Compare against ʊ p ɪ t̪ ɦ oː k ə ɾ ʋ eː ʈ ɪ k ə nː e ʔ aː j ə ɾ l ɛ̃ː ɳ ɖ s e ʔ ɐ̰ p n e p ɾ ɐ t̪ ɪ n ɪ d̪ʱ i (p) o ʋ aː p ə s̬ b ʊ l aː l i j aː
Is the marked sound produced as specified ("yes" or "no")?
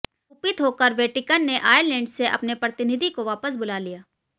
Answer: no